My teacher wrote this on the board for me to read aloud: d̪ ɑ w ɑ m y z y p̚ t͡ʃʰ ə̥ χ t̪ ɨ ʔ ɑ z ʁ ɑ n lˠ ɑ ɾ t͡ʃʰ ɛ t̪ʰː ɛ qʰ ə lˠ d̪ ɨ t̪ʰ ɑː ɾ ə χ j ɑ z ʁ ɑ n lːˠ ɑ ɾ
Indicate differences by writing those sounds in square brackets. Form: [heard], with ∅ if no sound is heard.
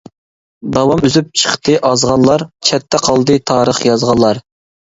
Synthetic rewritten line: d̪ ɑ w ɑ m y z y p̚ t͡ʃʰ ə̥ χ t̪ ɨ ʔ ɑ z ʁ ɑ n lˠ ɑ ɾ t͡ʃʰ ɛ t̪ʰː ɛ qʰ [ɑ] lˠ d̪ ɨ t̪ʰ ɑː ɾ ə χ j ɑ z ʁ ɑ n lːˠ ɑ ɾ